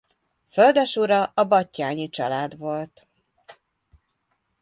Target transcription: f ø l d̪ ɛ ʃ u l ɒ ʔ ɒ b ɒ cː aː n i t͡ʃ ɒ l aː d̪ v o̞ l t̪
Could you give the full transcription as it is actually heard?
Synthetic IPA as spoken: f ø l d̪ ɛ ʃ u ɾ ɒ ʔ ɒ b ɒ cː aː ɲ i t͡ʃ ɒ l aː d̪ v o̞ l t̪